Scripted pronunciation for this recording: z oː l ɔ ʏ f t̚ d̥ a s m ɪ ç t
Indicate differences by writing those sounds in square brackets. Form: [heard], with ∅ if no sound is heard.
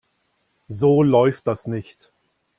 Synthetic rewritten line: z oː l ɔ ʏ f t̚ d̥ a s [n] ɪ ç t